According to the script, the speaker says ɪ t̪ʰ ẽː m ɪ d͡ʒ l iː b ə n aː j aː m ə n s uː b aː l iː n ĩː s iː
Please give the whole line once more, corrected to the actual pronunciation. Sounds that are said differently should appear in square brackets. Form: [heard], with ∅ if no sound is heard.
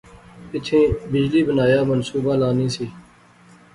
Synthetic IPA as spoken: ɪ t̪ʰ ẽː [b] ɪ d͡ʒ l iː b ə n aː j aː m ə n s uː b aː l [aː] n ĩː s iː